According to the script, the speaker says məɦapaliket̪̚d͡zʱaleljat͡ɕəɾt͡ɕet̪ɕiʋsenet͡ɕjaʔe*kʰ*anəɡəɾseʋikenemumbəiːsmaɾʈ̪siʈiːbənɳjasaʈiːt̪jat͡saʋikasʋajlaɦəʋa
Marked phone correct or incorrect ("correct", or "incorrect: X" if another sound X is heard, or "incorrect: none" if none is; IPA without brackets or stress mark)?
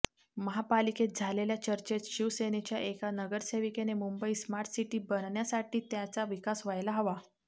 incorrect: k